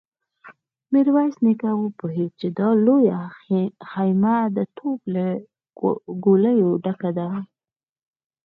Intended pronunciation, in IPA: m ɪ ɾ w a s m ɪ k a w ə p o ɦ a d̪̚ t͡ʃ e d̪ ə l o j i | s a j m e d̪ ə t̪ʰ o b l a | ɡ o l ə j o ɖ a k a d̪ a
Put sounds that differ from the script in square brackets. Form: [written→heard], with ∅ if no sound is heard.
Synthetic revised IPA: m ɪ ɾ w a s [m→n] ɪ k a w ə p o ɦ [a→e] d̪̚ t͡ʃ e d̪ [ə→ɑ] l o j [i→a] | [s→x] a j m [e→a] d̪ ə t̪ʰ o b l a | ɡ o l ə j o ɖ a k a d̪ a